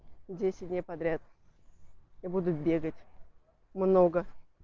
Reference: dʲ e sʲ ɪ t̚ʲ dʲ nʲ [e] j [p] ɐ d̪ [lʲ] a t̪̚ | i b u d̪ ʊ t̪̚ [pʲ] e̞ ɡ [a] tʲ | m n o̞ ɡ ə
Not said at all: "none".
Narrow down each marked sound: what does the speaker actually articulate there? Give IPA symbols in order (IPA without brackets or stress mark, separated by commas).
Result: e, p, ɾʲ, bʲ, ə